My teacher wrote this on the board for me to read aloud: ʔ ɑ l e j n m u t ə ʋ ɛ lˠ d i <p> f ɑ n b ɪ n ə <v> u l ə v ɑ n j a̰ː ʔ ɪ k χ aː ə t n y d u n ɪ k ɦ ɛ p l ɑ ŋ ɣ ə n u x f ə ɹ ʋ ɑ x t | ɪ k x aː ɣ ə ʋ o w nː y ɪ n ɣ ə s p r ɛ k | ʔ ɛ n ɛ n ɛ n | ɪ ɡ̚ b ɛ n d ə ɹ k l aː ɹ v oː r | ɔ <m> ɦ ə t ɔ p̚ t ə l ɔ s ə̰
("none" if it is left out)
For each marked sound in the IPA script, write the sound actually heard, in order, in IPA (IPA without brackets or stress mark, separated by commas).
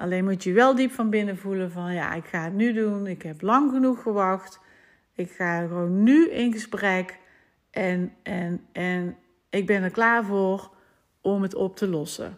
p, v, m